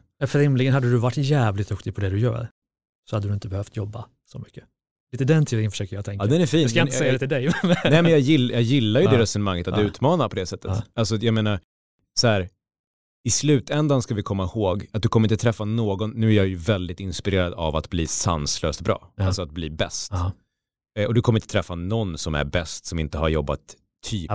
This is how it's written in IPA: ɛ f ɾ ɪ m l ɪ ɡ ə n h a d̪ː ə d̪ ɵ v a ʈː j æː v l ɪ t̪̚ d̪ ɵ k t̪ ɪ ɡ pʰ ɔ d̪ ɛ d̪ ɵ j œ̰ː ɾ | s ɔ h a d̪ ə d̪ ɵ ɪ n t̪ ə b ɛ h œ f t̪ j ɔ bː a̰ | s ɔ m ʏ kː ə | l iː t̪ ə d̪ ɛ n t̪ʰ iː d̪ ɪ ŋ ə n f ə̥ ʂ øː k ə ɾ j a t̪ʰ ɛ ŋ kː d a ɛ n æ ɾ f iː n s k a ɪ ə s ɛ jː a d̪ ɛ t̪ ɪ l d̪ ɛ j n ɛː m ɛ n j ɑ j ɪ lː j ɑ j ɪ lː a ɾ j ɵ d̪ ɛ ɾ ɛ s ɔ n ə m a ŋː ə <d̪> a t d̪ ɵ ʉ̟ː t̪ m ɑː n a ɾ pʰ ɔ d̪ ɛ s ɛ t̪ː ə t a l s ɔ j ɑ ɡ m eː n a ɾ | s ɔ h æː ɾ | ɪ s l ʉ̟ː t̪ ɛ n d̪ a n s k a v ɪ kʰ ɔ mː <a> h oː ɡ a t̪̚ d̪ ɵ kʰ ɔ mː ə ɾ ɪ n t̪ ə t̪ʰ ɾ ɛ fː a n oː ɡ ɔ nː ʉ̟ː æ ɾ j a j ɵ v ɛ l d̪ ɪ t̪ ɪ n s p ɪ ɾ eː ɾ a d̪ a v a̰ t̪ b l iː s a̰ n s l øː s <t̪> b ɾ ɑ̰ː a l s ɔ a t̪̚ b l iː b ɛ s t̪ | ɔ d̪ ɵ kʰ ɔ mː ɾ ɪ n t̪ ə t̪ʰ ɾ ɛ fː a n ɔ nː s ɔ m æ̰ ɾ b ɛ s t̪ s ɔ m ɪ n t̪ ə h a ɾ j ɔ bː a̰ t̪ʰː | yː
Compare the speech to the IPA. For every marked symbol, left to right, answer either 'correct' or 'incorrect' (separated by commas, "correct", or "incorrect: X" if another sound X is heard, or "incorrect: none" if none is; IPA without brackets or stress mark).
incorrect: t̪, correct, correct